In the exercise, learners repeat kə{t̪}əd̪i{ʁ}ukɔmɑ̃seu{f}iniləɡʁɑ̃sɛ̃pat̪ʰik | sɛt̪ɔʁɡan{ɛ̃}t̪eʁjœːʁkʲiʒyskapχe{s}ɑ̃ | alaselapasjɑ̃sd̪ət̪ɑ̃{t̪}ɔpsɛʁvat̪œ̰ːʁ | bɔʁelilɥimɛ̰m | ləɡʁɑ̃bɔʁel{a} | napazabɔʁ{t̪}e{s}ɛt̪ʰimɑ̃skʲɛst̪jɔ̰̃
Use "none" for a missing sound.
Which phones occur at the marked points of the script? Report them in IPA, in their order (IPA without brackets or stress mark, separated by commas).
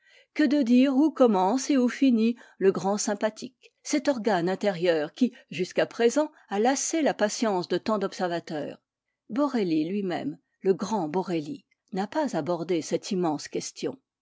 d̪, ʁ, f, ɛ̃, z, d̪, i, d̪, s